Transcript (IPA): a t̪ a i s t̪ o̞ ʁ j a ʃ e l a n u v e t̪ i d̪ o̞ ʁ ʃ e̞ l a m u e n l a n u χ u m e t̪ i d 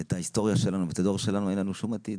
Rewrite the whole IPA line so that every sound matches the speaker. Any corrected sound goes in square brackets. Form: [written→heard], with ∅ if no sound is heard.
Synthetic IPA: [a→e] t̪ a i s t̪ o̞ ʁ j a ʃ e l a n u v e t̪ [i→a] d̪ o̞ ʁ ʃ e̞ l a [m→n] u e n l a n u [χ→ʃ] u m [e→a] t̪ i d